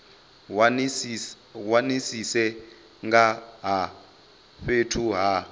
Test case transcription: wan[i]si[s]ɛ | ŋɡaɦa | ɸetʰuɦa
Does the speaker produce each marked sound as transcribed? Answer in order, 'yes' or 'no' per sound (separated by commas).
yes, yes